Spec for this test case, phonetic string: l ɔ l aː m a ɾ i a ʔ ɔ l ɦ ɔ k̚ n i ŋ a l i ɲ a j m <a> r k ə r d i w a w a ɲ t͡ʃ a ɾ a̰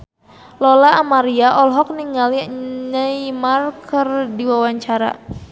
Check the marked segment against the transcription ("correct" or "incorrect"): correct